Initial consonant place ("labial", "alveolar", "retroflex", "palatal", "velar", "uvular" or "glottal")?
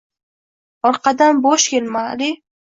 alveolar